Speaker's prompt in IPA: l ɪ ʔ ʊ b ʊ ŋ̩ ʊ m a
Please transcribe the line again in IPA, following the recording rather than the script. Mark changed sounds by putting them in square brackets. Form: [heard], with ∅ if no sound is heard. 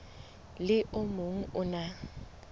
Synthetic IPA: l ɪ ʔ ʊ [m] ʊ ŋ̩ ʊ [n] a